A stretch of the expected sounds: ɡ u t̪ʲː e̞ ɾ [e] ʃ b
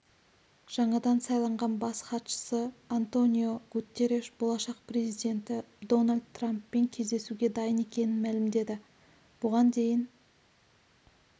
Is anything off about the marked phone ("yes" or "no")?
no